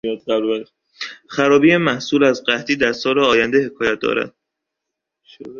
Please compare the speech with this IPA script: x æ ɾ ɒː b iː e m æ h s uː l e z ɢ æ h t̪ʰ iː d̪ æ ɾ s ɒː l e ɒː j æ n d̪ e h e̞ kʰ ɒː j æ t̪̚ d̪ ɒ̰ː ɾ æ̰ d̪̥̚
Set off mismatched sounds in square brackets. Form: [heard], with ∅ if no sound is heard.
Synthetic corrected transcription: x æ ɾ ɒː b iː e m æ h s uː l [æ] z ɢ æ h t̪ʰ iː d̪ æ ɾ s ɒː l e ɒː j æ n d̪ e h e̞ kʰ ɒː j æ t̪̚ d̪ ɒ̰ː ɾ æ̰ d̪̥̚

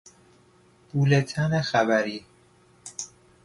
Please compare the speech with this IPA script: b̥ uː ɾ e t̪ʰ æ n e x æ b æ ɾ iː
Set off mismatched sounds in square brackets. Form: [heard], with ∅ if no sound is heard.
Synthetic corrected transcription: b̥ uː [l] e t̪ʰ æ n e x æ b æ ɾ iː

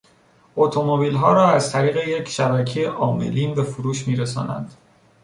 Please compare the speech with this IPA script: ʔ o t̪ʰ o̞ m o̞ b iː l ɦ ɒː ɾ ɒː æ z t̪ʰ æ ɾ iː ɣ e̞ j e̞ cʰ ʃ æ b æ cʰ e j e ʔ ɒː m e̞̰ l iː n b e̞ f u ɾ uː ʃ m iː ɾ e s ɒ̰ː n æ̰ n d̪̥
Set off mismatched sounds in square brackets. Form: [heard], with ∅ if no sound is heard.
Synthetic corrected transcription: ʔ o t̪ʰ o̞ m o̞ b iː l ɦ ɒː ɾ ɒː æ z t̪ʰ æ ɾ iː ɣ e̞ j e̞ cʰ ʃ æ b æ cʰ e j e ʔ ɒː m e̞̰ l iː n b e̞ f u ɾ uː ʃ m iː ɾ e s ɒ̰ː n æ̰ n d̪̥

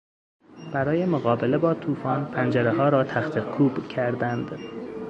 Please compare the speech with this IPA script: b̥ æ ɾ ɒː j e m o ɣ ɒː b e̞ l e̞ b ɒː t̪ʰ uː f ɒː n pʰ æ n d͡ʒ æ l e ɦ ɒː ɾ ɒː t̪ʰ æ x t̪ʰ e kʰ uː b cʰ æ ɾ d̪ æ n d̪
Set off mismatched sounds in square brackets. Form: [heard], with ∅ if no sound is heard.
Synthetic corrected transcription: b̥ æ ɾ ɒː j e m o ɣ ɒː b e̞ l e̞ b ɒː t̪ʰ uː f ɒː n pʰ æ n d͡ʒ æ [ɾ] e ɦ ɒː ɾ ɒː t̪ʰ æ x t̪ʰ e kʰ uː b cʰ æ ɾ d̪ æ n d̪

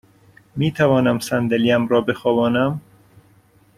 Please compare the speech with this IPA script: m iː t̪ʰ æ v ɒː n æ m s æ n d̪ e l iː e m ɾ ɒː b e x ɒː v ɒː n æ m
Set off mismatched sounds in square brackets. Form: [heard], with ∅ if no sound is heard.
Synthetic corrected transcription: m iː t̪ʰ æ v ɒː n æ m s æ n d̪ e l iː [æ] m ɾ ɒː b e x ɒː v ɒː n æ m

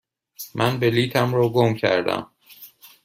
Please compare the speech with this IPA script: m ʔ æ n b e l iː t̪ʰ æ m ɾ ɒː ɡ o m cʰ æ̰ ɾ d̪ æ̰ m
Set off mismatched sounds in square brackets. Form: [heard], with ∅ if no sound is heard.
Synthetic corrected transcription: m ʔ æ n b e l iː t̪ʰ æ m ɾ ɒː ɡ o m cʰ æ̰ ɾ d̪ æ̰ m

